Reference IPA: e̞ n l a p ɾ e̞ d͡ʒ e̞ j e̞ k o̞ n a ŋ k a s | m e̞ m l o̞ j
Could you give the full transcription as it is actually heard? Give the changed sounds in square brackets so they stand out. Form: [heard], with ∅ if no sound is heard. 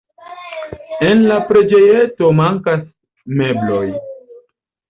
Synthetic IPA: e̞ n l a p ɾ e̞ d͡ʒ e̞ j e̞ [t] o̞ [m] a ŋ k a s | m e̞ [b] l o̞ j